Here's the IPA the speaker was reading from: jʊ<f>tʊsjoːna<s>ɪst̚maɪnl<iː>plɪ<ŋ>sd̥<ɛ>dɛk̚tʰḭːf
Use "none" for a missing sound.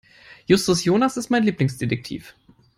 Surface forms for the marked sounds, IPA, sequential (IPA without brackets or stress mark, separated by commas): s, s, iː, ŋ, e